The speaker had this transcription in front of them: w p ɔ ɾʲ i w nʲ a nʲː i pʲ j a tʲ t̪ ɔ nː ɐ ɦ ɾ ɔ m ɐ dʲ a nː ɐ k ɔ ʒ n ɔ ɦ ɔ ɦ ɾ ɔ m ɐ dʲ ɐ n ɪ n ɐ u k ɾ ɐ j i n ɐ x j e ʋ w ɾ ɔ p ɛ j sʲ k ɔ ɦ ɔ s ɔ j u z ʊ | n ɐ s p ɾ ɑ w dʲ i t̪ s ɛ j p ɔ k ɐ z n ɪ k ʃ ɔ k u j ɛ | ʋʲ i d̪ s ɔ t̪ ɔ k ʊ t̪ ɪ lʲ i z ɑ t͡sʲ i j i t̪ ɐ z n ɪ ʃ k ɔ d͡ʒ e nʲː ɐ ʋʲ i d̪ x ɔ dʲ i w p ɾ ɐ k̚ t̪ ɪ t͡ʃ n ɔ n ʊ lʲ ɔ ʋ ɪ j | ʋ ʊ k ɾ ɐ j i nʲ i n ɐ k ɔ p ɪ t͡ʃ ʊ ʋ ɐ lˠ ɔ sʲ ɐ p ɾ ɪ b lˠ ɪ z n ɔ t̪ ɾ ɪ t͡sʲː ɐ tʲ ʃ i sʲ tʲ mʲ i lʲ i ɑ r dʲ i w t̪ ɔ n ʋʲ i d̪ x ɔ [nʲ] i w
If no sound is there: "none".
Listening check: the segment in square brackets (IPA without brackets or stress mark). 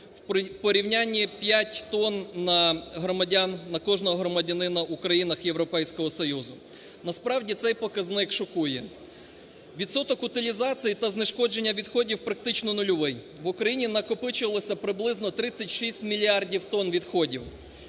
dʲ